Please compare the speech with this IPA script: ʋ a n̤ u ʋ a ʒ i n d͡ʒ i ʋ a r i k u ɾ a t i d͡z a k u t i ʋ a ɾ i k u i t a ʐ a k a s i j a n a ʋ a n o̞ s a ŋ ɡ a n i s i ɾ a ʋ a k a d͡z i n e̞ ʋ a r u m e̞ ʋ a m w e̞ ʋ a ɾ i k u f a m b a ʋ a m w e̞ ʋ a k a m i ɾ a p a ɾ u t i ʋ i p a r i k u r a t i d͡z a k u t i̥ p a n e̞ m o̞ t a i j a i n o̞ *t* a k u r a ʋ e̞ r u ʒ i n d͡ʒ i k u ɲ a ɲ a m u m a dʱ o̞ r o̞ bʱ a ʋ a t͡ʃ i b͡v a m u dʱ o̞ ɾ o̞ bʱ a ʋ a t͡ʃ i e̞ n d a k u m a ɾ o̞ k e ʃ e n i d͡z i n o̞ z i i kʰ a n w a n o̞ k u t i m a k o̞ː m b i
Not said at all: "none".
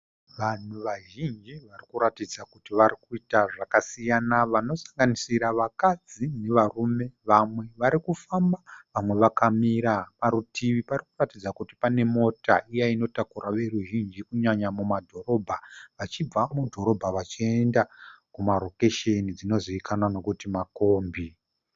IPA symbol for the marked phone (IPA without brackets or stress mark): t